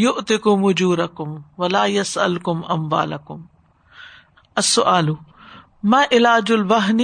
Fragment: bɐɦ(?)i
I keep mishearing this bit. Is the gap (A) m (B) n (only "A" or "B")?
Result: B